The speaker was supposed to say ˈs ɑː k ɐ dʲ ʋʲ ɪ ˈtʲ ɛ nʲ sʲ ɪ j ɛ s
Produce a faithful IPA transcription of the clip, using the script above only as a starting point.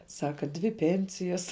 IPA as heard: ˈs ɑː k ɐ dʲ ʋʲ ɪ ˈpʲ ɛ nʲ sʲ ɪ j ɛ s